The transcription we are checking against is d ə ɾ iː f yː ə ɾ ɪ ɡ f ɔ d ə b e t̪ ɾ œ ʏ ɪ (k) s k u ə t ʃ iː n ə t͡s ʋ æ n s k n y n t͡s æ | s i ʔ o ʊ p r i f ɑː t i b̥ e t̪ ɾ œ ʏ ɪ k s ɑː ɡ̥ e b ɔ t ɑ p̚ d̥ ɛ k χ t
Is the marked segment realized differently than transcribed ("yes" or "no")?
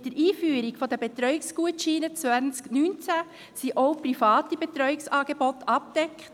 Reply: no